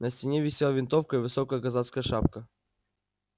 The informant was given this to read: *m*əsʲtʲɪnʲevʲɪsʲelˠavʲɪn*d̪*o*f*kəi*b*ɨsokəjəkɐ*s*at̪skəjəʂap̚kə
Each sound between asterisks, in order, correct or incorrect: incorrect: n, incorrect: t̪, correct, incorrect: v, incorrect: z

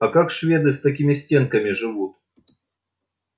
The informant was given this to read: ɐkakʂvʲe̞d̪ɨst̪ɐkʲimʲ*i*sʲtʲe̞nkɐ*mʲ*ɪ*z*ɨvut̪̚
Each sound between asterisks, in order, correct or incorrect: incorrect: ɪ, correct, incorrect: ʐ

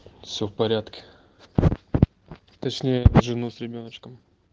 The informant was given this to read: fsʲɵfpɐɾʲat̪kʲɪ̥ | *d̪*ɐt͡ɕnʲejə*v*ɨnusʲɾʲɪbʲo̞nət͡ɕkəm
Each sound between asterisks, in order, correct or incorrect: incorrect: t̪, incorrect: ʐ

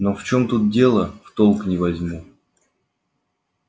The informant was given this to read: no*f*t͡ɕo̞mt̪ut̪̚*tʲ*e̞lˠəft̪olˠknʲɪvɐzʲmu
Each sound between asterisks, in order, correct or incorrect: correct, incorrect: dʲ

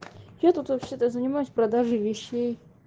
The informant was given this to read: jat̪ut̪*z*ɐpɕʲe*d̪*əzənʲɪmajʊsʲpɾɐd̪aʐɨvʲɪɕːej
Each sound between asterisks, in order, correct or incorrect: incorrect: v, incorrect: t̪

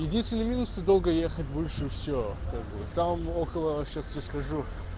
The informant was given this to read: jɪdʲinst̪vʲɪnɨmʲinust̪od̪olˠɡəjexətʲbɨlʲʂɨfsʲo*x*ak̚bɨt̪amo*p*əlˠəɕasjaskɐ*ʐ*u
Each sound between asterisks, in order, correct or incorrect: incorrect: k, incorrect: k, correct

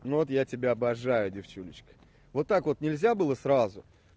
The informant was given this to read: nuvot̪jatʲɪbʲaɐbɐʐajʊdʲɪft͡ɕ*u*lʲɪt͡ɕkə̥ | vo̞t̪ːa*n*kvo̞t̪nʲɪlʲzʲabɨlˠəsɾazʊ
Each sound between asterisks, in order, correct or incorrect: correct, incorrect: none

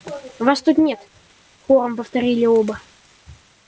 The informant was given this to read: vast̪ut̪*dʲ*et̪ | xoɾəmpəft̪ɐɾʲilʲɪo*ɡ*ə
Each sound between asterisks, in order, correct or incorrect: incorrect: nʲ, incorrect: b

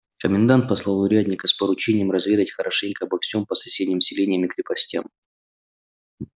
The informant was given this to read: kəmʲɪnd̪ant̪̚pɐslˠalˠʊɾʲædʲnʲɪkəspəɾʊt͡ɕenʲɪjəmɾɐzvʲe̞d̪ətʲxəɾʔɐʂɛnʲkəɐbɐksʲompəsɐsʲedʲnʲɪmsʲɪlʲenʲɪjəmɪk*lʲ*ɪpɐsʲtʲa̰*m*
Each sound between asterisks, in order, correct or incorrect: incorrect: ɾʲ, correct

